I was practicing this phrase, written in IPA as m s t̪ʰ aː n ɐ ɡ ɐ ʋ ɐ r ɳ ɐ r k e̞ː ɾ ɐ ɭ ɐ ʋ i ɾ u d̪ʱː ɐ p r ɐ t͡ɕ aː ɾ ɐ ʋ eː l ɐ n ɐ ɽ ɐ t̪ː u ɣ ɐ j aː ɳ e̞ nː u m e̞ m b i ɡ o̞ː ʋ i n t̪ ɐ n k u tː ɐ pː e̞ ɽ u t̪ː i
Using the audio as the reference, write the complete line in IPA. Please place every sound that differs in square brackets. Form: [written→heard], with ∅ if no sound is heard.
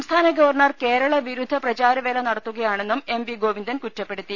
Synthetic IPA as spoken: m s t̪ʰ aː n ɐ ɡ ɐ ʋ ɐ r ɳ ɐ r k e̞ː ɾ ɐ ɭ ɐ ʋ i ɾ u d̪ʱː ɐ p r ɐ t͡ɕ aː ɾ ɐ ʋ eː l ɐ n ɐ ɽ ɐ t̪ː u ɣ ɐ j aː ɳ e̞ nː u m e̞ m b i ɡ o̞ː ʋ i n [t̪→d̪] ɐ n k u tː ɐ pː e̞ ɽ u t̪ː i